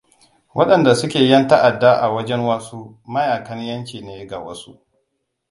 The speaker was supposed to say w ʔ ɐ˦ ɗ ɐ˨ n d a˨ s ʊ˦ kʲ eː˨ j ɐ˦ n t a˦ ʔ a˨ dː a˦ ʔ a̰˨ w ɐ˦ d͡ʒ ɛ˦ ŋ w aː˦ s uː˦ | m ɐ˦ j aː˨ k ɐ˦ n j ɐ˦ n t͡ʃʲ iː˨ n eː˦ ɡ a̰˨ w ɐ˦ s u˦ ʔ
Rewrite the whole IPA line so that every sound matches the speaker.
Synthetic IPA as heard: w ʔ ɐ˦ ɗ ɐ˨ n d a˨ s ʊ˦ kʲ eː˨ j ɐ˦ n t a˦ ʔ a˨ dː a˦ ʔ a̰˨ w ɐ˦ d͡ʒ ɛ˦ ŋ w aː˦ s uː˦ | m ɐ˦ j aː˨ k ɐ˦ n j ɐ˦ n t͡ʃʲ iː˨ n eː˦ ɡ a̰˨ w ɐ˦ s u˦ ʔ